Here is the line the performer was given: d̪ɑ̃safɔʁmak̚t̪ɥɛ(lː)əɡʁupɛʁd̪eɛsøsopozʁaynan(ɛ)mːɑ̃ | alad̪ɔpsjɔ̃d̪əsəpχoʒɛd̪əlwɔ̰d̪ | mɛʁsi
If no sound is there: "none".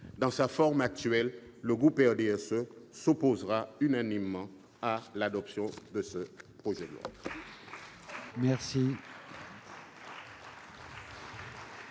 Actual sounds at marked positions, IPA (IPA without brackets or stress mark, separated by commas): lː, i